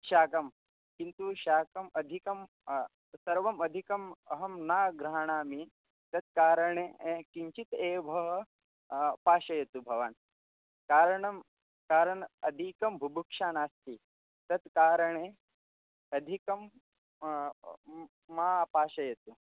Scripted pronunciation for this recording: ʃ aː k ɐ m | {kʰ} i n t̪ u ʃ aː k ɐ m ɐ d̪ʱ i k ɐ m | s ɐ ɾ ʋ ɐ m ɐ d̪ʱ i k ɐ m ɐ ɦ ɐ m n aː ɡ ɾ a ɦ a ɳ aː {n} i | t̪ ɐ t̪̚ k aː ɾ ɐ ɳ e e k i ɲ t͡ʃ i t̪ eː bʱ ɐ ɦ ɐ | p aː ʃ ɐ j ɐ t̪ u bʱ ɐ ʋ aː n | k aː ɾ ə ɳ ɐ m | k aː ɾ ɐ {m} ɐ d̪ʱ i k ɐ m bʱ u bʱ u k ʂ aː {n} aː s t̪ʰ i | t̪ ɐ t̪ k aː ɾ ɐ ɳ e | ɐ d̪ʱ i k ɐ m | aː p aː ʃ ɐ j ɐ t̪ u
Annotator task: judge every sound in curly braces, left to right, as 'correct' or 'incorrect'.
incorrect: k, incorrect: m, incorrect: ɳ, correct

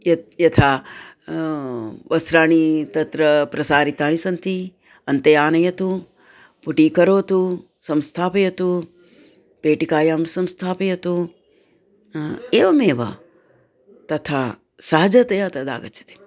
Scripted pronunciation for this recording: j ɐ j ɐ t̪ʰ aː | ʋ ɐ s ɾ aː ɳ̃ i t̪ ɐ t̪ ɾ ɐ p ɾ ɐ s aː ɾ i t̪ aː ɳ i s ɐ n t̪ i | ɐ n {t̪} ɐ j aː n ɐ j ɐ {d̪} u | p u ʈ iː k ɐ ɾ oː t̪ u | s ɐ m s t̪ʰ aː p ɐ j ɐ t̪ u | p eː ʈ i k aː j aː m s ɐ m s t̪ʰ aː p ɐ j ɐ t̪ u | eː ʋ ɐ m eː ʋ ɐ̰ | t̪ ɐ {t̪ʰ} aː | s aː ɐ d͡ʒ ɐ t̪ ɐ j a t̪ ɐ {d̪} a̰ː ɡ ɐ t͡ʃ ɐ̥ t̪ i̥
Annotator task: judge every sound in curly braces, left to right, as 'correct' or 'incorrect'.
correct, incorrect: t̪, correct, correct

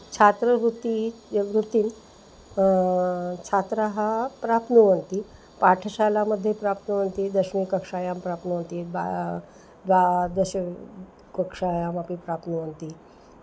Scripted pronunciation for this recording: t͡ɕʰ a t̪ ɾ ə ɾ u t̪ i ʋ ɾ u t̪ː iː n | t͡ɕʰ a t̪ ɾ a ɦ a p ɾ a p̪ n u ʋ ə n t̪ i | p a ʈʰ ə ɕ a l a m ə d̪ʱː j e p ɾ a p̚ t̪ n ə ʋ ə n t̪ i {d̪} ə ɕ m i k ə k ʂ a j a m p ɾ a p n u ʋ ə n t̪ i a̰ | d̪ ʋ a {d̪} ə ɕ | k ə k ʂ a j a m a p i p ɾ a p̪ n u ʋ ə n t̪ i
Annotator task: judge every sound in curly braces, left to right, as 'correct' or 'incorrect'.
correct, correct

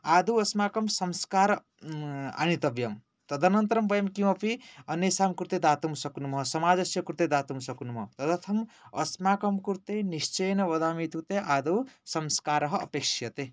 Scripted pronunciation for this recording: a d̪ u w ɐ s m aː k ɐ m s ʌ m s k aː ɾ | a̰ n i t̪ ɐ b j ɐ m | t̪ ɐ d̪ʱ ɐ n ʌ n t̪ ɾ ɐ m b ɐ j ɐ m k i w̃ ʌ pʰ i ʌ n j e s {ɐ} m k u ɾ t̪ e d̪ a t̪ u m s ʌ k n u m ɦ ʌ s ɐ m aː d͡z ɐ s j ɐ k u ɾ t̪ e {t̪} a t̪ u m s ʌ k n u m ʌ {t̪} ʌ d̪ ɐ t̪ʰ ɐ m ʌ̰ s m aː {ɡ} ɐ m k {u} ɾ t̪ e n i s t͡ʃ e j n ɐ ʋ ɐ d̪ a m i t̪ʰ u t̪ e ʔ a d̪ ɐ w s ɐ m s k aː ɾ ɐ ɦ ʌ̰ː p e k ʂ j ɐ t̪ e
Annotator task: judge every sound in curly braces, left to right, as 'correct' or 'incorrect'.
incorrect: a, incorrect: d̪, correct, incorrect: k, correct

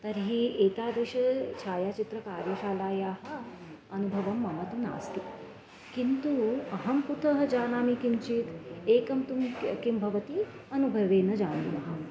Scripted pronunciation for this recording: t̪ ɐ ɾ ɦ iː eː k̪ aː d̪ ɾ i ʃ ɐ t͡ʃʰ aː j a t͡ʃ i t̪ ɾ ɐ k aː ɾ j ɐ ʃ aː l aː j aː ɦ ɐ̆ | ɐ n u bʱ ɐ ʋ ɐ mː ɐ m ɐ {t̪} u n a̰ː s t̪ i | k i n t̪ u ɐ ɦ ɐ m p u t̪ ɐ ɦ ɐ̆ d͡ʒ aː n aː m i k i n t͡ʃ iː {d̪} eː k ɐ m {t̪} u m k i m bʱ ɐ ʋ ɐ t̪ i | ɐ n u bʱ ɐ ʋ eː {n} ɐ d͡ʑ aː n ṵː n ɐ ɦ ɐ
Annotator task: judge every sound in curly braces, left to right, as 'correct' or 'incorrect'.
correct, incorrect: t̪, correct, correct

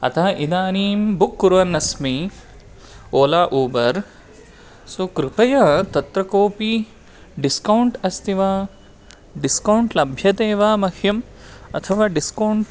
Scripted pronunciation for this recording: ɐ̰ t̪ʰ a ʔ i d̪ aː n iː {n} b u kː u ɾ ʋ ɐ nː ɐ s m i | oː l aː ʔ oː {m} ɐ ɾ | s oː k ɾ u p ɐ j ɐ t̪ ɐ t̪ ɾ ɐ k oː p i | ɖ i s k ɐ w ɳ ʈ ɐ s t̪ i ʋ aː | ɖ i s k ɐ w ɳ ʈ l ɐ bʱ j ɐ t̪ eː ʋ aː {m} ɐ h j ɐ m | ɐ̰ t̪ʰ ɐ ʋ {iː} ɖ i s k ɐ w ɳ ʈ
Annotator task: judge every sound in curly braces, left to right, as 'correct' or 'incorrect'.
incorrect: m, incorrect: b, correct, incorrect: aː

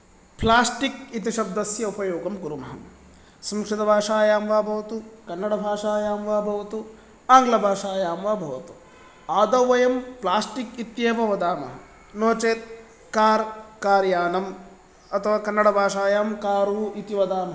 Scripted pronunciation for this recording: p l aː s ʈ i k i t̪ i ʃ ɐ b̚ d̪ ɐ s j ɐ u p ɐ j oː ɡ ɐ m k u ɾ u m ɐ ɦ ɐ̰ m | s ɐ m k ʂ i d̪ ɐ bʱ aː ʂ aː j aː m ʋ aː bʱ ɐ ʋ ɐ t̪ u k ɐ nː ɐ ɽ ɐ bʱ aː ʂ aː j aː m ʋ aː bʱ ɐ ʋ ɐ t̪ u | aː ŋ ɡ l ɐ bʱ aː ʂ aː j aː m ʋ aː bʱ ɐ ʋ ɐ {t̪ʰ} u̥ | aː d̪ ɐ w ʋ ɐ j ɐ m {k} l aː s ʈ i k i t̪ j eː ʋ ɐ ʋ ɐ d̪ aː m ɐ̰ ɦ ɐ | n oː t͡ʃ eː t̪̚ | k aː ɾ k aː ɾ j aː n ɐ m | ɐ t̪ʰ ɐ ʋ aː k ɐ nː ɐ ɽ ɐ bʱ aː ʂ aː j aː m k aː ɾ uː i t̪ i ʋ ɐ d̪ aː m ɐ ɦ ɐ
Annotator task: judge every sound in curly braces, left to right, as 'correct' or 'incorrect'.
incorrect: t̪, incorrect: p

